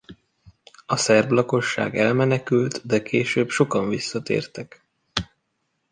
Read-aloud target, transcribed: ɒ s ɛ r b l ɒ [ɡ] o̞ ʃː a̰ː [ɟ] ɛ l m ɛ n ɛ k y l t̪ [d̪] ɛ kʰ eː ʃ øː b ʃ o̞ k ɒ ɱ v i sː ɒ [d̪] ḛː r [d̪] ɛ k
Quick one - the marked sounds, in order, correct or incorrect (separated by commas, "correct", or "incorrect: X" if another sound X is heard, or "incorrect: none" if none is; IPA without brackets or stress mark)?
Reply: incorrect: k, incorrect: ɡ, correct, incorrect: t̪, incorrect: t̪